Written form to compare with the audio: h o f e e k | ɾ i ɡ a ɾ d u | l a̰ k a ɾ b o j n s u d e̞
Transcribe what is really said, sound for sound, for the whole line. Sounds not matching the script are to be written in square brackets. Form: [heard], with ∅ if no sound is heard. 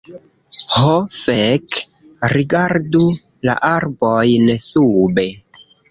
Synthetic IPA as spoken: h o f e e k | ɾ i ɡ a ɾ d u | l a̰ [ʔ] a ɾ b o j n s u [b] e̞

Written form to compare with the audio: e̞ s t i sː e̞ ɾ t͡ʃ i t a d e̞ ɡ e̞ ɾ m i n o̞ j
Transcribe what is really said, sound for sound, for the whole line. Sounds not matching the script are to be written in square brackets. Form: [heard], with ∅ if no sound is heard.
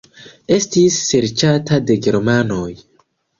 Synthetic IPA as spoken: e̞ s t i sː e̞ ɾ t͡ʃ [a] t a d e̞ ɡ e̞ ɾ m [a] n o̞ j

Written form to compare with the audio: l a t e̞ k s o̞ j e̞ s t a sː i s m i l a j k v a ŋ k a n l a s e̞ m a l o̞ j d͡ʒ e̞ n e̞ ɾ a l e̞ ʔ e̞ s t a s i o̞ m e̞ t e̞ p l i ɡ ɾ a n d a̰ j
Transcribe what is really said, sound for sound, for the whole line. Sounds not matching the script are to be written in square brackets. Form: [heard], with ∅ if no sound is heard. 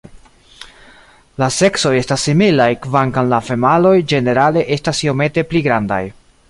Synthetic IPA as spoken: l a [s] e̞ k s o̞ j e̞ s t a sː i [∅] m i l a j k v a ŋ k a n l a [f] e̞ m a l o̞ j d͡ʒ e̞ n e̞ ɾ a l e̞ ʔ e̞ s t a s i o̞ m e̞ t e̞ p l i ɡ ɾ a n d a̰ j

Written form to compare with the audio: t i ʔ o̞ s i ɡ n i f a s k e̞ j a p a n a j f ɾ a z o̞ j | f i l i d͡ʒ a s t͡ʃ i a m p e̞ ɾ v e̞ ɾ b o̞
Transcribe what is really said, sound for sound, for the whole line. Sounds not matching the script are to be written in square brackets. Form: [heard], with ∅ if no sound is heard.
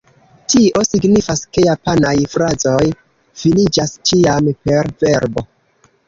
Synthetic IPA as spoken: t i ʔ o̞ s i ɡ n i f a s k e̞ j a p a n a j f ɾ a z o̞ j | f i l i d͡ʒ a s t͡ʃ i a m p e̞ ɾ v e̞ ɾ b o̞

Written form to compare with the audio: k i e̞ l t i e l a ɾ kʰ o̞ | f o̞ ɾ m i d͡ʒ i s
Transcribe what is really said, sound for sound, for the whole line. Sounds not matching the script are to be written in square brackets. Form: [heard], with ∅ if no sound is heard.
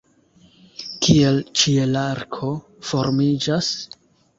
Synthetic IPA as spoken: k i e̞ l [t͡ʃ] i e l a ɾ kʰ o̞ | f o̞ ɾ m i d͡ʒ [a] s

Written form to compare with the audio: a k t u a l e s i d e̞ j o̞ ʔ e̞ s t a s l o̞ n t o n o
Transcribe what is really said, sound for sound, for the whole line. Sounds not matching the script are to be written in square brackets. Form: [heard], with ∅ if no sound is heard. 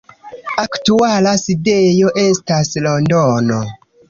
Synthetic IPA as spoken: a k t u a l [a] s i d e̞ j o̞ ʔ e̞ s t a s l o̞ n [d] o n o

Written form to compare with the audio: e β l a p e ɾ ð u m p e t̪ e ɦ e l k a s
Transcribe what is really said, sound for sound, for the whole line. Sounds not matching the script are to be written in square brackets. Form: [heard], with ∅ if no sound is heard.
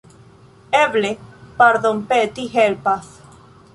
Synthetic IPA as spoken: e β l [e] p [a] ɾ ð [o] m p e t̪ [i] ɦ e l [p] a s

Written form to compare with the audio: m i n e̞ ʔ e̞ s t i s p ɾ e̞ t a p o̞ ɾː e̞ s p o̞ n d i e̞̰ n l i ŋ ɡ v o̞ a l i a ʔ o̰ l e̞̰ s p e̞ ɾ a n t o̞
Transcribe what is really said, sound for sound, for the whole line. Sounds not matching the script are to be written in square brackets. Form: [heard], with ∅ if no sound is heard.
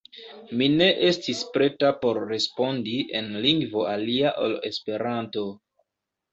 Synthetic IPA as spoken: m i n e̞ ʔ e̞ s t i s p ɾ e̞ t a p o̞ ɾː e̞ s p o̞ n d i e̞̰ n l i ŋ ɡ v o̞ a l i a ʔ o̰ l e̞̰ s p e̞ ɾ a n t o̞

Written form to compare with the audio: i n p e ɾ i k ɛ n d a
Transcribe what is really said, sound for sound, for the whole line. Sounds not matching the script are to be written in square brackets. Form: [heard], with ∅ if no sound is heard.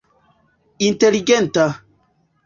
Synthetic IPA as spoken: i n [t] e [l] i [ɡ] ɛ n [t] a

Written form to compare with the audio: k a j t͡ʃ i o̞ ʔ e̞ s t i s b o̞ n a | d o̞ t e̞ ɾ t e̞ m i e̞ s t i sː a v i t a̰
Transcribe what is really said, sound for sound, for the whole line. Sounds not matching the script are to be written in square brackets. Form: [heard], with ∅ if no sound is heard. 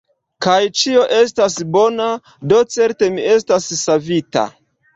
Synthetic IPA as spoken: k a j t͡ʃ i o̞ ʔ e̞ s t [a] s b o̞ n a | d o̞ [t͡s] e̞ ɾ t e̞ m i e̞ s t [a] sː a v i t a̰

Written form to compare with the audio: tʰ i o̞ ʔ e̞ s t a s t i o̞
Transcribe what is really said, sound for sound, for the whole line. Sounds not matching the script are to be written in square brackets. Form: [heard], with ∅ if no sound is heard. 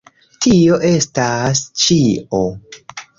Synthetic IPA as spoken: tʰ i o̞ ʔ e̞ s t a s [t͡ʃ] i o̞

